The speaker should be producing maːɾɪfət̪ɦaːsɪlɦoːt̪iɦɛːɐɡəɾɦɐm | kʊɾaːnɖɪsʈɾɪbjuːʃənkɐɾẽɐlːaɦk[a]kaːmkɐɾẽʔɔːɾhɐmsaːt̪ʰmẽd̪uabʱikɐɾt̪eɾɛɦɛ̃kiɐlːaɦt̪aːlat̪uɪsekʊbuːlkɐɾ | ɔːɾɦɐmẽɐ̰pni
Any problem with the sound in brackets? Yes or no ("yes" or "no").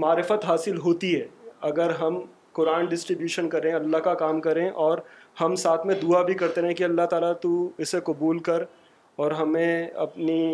no